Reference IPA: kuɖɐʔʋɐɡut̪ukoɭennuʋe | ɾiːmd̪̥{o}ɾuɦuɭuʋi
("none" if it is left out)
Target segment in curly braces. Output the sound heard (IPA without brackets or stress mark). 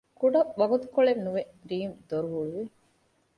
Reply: o